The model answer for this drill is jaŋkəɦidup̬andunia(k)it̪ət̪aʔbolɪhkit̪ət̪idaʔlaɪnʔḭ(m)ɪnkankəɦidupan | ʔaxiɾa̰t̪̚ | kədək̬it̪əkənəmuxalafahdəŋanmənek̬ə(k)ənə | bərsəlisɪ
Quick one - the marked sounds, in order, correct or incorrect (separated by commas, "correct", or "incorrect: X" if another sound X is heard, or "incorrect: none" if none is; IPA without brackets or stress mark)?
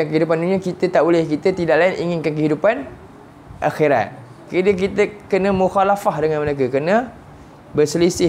correct, incorrect: ŋ, correct